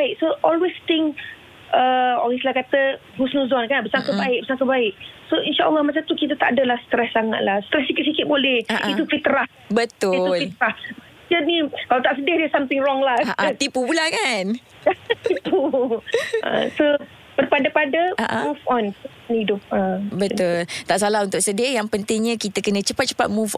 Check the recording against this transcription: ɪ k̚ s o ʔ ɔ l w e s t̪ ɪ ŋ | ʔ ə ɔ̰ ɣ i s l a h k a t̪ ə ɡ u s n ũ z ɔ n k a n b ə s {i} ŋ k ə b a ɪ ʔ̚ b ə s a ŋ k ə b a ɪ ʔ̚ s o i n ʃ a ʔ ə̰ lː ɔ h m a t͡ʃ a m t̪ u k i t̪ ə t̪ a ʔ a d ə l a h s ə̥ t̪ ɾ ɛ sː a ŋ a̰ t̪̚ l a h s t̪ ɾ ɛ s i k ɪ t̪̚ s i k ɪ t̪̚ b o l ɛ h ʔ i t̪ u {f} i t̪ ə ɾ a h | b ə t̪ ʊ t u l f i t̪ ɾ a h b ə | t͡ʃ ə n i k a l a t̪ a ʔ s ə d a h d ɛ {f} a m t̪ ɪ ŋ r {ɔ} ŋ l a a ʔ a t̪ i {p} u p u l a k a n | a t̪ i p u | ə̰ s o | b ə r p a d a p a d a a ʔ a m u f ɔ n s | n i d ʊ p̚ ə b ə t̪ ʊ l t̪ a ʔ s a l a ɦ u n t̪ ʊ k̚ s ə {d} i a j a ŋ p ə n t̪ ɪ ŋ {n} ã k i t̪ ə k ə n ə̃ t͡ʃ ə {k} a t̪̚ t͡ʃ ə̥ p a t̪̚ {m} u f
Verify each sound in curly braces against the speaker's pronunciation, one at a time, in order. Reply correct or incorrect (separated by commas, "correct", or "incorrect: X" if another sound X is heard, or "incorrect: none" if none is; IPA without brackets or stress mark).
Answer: incorrect: a, correct, incorrect: s, correct, correct, correct, incorrect: ɲ, incorrect: p, correct